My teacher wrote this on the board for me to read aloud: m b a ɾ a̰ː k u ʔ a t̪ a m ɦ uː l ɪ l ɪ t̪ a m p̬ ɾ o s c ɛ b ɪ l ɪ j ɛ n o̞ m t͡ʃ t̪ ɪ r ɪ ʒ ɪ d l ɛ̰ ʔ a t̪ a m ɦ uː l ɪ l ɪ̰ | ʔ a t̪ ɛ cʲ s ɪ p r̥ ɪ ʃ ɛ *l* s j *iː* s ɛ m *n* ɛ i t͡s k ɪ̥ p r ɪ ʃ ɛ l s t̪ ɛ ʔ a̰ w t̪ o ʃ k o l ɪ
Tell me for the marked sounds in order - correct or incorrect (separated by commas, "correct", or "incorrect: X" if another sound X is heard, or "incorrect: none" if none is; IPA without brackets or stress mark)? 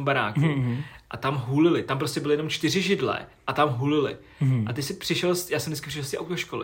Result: correct, incorrect: aː, incorrect: d